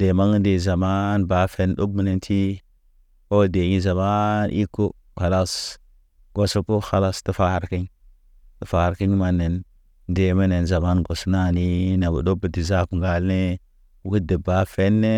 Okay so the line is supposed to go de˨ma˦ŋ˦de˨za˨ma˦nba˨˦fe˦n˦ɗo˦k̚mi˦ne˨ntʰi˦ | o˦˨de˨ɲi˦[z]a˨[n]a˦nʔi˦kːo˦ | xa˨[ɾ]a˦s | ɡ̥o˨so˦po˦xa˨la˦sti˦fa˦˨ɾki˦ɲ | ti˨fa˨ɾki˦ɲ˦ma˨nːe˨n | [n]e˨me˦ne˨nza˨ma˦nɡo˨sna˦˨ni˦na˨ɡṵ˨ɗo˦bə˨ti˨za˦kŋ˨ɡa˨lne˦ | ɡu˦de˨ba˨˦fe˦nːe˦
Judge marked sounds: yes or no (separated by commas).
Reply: yes, no, no, no